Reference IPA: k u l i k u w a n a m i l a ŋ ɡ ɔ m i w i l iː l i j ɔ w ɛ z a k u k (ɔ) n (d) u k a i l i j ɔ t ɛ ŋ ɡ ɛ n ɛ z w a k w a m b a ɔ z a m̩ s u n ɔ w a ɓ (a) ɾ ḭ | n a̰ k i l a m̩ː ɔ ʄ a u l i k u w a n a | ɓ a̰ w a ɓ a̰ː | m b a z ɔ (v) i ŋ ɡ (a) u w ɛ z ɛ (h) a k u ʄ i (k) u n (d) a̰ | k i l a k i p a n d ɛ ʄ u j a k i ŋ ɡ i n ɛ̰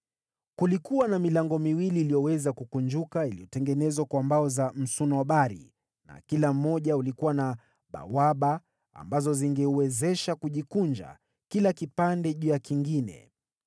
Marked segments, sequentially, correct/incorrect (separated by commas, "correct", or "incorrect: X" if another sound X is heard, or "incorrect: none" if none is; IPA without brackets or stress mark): incorrect: u, incorrect: d͡ʒ, correct, incorrect: z, incorrect: ɛ, incorrect: ʃ, correct, incorrect: d͡ʒ